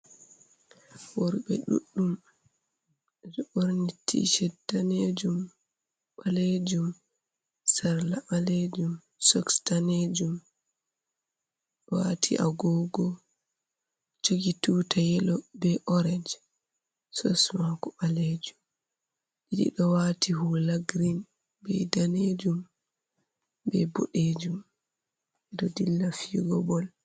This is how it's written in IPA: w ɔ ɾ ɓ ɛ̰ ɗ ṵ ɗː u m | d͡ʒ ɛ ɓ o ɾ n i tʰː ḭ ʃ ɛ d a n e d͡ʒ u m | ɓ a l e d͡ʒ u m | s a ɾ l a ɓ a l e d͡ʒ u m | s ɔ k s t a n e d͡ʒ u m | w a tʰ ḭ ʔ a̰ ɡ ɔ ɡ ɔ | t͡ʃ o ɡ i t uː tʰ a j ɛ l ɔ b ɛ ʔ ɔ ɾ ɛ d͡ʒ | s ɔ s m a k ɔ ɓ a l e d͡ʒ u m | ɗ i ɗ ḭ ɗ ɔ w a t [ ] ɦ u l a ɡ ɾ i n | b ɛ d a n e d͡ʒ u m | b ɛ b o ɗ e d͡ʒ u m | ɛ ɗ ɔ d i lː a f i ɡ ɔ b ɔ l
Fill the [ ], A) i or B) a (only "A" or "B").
A